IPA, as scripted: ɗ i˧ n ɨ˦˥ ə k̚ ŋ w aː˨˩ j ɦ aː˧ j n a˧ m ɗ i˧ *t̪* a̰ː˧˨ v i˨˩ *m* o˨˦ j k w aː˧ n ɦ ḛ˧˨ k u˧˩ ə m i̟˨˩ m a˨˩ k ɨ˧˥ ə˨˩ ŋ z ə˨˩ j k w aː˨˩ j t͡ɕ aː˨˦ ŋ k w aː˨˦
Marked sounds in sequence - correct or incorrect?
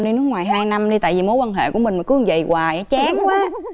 correct, correct

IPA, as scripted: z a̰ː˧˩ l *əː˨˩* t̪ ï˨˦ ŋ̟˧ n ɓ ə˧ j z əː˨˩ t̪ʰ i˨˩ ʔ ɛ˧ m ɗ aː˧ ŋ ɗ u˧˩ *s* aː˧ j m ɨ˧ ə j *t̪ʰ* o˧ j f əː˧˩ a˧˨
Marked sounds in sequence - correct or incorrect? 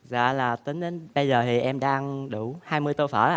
incorrect, incorrect, incorrect

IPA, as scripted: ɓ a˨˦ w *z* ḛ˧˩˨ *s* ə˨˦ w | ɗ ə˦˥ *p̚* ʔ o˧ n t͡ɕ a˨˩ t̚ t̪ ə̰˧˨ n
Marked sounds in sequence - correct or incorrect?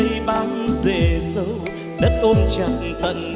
correct, correct, incorrect

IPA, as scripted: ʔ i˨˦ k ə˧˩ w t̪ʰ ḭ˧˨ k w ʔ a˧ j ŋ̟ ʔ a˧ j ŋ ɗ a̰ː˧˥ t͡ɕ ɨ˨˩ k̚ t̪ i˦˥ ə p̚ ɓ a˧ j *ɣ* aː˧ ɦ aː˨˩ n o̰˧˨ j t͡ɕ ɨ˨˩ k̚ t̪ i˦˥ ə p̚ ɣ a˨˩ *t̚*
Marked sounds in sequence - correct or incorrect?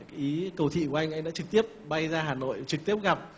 incorrect, incorrect

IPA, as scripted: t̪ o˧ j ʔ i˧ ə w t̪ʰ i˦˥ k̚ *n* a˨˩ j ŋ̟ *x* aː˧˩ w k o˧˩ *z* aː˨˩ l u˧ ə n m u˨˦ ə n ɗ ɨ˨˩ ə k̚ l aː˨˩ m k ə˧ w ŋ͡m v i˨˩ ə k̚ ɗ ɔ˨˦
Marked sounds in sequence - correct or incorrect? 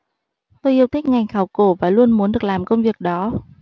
incorrect, correct, incorrect

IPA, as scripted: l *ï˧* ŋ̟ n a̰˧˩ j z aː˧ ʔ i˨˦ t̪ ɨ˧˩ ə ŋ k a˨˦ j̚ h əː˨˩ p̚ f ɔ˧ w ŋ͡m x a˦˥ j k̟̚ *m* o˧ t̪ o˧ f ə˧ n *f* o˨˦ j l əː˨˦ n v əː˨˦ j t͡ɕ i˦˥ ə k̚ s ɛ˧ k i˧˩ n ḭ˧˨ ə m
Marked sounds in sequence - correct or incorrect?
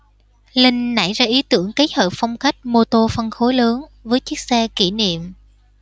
correct, correct, incorrect

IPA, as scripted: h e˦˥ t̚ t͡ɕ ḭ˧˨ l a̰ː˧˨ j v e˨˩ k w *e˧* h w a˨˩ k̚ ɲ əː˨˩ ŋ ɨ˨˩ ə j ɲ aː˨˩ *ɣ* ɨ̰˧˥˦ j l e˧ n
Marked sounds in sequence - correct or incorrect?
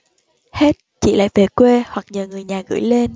correct, correct

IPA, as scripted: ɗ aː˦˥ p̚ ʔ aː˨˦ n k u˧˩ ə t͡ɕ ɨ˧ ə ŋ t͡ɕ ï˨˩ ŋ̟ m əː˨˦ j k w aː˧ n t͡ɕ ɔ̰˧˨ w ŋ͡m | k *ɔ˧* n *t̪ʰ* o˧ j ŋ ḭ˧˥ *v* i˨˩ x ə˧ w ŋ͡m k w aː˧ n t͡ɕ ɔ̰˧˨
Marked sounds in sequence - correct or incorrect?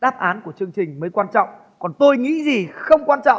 incorrect, incorrect, incorrect

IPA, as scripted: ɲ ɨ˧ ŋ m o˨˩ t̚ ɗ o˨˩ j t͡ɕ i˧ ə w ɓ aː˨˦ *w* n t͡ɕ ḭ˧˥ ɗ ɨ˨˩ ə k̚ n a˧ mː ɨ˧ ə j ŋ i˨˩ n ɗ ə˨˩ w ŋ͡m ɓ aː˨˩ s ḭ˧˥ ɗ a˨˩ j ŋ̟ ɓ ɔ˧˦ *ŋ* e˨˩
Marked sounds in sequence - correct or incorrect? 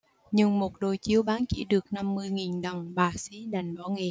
incorrect, correct

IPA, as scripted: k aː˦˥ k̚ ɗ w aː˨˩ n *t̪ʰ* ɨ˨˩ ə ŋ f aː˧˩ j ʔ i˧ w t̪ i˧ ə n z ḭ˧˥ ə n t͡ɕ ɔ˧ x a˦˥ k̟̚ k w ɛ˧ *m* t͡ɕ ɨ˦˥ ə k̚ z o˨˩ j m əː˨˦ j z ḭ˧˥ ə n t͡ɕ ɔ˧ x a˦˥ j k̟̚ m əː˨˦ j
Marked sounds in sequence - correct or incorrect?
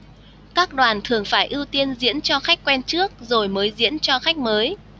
correct, incorrect

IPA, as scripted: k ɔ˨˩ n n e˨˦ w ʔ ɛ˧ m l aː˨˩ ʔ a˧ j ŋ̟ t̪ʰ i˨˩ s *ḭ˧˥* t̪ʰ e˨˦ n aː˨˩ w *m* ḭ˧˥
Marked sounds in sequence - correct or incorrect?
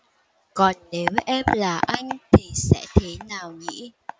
incorrect, incorrect

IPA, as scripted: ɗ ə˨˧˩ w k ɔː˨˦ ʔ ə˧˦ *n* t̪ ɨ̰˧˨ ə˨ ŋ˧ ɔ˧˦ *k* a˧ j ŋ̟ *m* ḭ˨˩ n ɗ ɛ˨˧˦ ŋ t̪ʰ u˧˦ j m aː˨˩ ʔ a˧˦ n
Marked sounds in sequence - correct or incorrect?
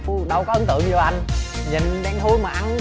correct, incorrect, incorrect

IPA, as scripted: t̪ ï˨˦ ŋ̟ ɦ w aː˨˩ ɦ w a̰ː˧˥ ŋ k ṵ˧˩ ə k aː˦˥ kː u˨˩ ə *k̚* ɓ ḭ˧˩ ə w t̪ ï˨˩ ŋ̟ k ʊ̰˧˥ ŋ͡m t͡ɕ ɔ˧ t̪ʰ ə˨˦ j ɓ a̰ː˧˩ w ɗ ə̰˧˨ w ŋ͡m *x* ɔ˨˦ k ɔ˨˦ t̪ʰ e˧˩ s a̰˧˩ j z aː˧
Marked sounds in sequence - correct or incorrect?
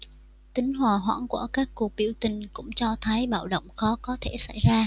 correct, correct

